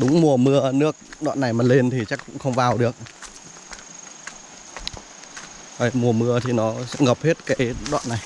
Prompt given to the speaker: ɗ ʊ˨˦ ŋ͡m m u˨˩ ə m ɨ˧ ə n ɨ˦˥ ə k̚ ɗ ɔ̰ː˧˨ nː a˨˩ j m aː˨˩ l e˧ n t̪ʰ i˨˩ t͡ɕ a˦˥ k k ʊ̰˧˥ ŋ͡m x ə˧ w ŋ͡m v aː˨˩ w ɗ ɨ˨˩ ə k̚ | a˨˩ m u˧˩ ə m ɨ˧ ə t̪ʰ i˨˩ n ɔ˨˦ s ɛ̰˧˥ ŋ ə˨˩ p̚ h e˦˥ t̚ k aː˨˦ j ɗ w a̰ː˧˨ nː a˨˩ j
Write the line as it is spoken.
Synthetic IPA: ɗ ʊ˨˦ ŋ͡m m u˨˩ ə m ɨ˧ ə n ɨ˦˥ ə k̚ ɗ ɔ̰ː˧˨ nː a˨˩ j m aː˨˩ l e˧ n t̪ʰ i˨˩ t͡ɕ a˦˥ k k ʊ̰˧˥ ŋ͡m x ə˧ w ŋ͡m v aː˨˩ w ɗ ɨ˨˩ ə k̚ | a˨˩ m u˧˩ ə m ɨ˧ ə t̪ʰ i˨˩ n ɔ˨˦ s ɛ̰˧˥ ŋ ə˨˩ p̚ h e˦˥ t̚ k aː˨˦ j ɗ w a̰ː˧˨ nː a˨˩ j